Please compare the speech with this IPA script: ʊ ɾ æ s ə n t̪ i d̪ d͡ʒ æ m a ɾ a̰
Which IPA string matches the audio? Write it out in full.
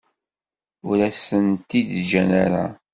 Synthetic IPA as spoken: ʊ ɾ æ s ə n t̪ i d̪ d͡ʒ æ n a ɾ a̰